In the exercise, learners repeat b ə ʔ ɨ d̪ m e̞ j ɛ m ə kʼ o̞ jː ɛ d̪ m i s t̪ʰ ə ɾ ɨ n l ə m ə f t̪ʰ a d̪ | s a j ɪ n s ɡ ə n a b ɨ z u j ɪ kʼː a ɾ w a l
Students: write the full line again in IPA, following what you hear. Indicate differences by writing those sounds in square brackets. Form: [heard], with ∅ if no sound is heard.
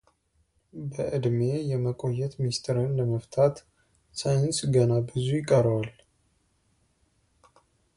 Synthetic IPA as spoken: b ə ʔ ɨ d̪ m e̞ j ɛ m ə kʼ o̞ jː ɛ [t̪] m i s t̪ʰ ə ɾ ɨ n l ə m ə f t̪ʰ a [t̪] | s a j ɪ n s ɡ ə n a b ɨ z u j ɪ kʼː [ə] ɾ w a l